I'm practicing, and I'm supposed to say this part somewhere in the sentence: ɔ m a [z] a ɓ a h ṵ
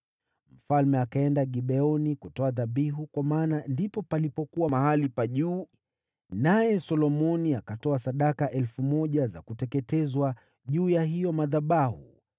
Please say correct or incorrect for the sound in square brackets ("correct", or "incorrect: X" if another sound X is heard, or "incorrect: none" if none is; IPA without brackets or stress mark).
incorrect: ð